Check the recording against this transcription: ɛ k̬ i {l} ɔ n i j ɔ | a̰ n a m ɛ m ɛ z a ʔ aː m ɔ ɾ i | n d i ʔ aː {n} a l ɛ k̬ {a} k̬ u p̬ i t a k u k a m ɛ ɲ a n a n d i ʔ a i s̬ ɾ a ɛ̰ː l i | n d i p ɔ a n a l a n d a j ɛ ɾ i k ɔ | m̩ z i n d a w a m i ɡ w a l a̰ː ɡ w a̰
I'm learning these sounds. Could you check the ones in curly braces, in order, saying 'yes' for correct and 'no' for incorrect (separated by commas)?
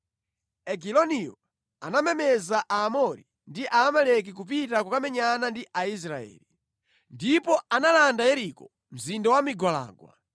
yes, no, no